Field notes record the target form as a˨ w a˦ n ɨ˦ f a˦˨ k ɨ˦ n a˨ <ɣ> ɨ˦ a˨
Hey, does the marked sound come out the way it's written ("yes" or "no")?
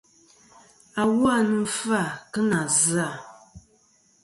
no